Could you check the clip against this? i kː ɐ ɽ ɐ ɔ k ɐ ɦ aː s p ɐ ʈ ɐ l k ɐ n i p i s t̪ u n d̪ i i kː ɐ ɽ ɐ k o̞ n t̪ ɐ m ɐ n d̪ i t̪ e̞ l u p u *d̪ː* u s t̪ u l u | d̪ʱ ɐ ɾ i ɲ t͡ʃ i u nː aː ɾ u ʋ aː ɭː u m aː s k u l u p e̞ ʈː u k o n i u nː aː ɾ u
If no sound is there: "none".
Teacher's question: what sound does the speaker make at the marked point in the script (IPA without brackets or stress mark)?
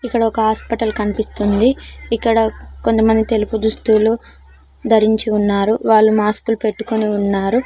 d̪